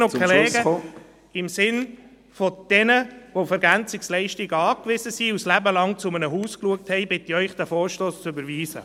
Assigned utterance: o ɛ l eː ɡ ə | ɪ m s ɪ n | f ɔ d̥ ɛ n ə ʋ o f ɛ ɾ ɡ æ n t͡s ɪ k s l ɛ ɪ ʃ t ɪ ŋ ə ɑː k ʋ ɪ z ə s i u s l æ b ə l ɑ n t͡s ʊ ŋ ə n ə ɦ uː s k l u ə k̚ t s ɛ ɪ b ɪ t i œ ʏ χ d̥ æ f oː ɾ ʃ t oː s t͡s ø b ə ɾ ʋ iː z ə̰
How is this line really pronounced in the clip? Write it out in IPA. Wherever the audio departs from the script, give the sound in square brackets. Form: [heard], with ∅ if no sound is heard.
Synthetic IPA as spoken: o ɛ l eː ɡ ə | ɪ m s ɪ n | f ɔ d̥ ɛ n ə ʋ o f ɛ ɾ ɡ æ n t͡s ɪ k s l ɛ ɪ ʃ t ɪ [ɡ] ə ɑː k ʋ ɪ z ə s i u s l æ b ə l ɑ [ŋ] t͡s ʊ [m] ə n ə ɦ uː s k l u ə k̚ t [h] ɛ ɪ b ɪ t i œ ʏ χ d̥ æ f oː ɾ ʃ t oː s t͡s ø b ə ɾ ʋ iː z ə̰